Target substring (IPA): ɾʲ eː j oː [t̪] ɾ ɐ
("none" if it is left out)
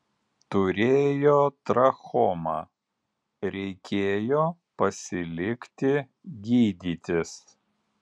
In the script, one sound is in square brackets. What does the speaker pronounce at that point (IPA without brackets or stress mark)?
t̪